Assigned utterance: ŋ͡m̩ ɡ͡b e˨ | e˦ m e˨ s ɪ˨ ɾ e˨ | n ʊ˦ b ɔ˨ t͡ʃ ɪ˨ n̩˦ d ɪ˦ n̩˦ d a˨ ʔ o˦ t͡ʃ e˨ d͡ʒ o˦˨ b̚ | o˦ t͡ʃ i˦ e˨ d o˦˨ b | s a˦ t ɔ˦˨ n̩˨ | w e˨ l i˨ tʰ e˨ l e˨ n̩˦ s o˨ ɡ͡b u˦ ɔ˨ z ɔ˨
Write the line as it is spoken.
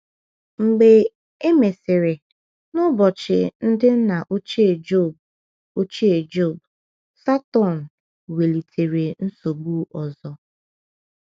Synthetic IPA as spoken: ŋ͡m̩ ɡ͡b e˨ | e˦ m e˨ s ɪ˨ ɾ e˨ | n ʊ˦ b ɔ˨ t͡ʃ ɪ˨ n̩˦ d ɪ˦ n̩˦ n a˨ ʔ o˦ t͡ʃ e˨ d͡ʒ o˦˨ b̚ | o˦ t͡ʃ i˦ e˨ d͡ʒ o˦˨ b | s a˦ t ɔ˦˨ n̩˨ | w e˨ l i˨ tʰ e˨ ɾ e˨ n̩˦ s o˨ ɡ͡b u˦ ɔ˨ z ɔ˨